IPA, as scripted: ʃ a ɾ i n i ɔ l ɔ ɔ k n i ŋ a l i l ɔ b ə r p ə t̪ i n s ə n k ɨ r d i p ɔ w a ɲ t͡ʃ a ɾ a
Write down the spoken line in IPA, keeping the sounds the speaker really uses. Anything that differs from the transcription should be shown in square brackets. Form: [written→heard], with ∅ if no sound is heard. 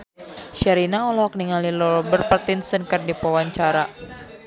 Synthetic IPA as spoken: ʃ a ɾ i n [i→a] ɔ l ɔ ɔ k n i ŋ a l i l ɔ b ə r p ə t̪ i n s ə n k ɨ r d i p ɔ w a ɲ t͡ʃ a ɾ a